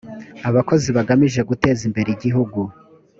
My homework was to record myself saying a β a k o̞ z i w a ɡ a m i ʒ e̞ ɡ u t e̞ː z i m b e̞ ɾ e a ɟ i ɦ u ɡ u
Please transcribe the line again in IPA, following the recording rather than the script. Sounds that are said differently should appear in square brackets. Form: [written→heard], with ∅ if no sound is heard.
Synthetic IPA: a β a k o̞ z i [w→β] a ɡ a m i ʒ e̞ ɡ u t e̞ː z i m b e̞ ɾ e [a→i] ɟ i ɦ u ɡ u

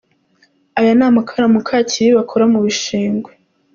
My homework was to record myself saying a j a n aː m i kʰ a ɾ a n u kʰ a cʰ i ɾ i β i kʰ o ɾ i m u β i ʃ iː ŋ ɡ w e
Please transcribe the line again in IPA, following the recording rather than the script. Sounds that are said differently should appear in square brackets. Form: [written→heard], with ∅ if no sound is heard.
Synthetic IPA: a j a n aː m [i→a] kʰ a ɾ a [n→m] u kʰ a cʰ i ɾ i β [i→a] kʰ o ɾ [i→a] m u β i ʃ iː ŋ ɡ w e

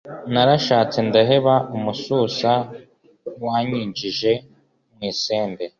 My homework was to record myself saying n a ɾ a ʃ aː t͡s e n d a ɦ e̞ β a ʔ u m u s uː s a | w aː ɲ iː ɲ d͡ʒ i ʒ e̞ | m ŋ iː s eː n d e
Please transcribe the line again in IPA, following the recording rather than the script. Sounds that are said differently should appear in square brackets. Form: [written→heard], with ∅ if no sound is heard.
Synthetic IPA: n a ɾ a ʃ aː t͡s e n d a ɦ e̞ β a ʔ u m u s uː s a | w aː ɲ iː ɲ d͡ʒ i ʒ e̞ | m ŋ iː s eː n d e

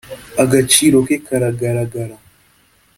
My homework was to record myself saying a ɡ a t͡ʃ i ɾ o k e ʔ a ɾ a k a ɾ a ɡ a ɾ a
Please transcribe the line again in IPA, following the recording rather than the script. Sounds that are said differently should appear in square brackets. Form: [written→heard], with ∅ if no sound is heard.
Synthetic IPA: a ɡ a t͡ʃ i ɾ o k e [ʔ→k] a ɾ a [k→ɡ] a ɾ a ɡ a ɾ a

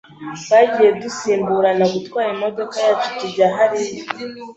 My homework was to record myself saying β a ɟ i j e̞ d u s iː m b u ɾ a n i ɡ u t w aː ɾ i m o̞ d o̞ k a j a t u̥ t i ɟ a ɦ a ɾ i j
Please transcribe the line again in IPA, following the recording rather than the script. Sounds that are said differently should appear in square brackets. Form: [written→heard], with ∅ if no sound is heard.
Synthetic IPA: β a ɟ i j e̞ d u s iː m b u ɾ a n [i→a] ɡ u t w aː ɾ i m o̞ d o̞ k a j a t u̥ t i ɟ a ɦ a ɾ i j

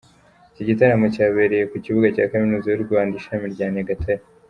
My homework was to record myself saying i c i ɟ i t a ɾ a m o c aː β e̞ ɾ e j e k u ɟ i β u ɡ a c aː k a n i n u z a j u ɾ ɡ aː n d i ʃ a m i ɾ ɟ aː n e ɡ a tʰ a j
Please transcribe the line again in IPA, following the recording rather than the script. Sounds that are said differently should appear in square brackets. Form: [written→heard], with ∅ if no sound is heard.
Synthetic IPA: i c i ɟ i t a ɾ a m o c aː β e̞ ɾ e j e k u [ɟ→c] i β u ɡ a c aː k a [n→m] i n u z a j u ɾ ɡ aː n d i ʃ a m i ɾ ɟ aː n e ɡ a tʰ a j

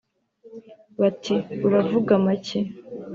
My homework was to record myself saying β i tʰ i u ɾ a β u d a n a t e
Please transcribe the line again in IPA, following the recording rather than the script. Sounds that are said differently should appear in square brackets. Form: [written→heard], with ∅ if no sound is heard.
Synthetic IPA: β [i→a] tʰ i u ɾ a [β→v] u [d→ɡ] a [n→m] a [t→c] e

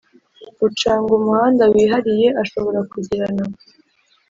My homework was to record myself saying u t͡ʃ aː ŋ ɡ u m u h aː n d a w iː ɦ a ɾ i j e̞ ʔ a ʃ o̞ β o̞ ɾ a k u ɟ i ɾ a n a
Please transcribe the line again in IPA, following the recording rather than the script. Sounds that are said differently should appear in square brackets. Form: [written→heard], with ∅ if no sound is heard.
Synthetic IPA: u t͡ʃ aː ŋ ɡ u m u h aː n d a w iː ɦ a ɾ i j e̞ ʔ a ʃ o̞ β o̞ ɾ a k u ɟ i ɾ a n a

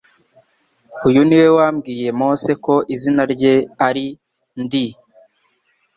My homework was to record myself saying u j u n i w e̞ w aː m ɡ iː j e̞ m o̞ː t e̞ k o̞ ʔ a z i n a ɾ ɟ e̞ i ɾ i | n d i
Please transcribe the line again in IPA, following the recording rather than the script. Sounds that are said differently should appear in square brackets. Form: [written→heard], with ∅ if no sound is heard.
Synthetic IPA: u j u n i w e̞ w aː m ɡ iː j e̞ m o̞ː [t→s] e̞ k o̞ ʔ [a→i] z i n a ɾ ɟ e̞ [i→a] ɾ i | n d i

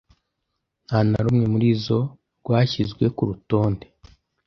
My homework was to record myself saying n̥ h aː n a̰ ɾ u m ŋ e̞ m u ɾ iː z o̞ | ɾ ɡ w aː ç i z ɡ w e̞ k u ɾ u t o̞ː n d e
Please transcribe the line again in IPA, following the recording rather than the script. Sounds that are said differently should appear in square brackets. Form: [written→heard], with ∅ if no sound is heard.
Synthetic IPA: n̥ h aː n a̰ ɾ u m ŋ e̞ m u ɾ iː z o̞ | ɾ ɡ w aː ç i z ɡ w e̞ k u ɾ u t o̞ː n d e

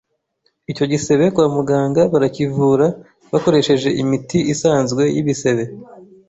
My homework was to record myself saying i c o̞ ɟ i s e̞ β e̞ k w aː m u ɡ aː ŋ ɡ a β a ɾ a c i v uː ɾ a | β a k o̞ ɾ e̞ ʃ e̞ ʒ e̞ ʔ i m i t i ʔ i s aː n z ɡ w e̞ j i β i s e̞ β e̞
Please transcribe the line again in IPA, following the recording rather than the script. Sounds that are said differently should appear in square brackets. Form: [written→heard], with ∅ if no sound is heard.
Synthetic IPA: i c o̞ ɟ i s e̞ β e̞ k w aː m u ɡ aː ŋ ɡ a β a ɾ a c i v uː ɾ a | β a k o̞ ɾ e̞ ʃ e̞ ʒ e̞ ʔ i m i t i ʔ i s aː n z ɡ w e̞ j i β i s e̞ β e̞

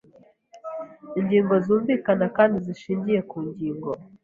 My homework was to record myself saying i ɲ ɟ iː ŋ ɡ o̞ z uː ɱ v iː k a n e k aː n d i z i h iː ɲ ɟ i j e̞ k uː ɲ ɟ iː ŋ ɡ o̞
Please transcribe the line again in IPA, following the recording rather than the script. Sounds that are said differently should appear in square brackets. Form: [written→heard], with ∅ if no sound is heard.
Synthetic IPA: i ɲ ɟ iː ŋ ɡ o̞ z uː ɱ v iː k a n [e→a] k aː n d i z i [h→ʃ] iː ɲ ɟ i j e̞ k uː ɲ ɟ iː ŋ ɡ o̞

